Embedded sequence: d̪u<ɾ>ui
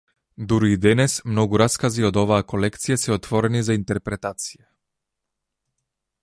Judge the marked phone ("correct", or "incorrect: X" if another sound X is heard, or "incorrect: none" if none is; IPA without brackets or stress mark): correct